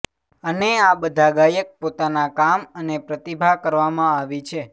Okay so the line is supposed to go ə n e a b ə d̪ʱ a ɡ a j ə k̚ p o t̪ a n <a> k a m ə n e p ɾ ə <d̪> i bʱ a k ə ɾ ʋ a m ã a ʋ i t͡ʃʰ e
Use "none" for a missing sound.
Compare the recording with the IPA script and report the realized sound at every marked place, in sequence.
a, t̪

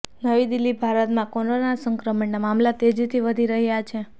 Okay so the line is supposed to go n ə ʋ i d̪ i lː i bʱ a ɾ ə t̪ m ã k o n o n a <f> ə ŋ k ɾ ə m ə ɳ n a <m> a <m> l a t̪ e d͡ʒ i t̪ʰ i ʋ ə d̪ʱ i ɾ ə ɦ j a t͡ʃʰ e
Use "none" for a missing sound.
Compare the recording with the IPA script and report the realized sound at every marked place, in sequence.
s, m, m

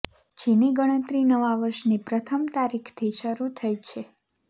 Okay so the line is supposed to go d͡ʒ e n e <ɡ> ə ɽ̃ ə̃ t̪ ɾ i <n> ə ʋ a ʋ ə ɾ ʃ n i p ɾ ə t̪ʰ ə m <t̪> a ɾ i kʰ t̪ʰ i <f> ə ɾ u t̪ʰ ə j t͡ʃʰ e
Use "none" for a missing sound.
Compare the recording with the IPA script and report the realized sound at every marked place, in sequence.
ɡ, n, t̪, ʃ

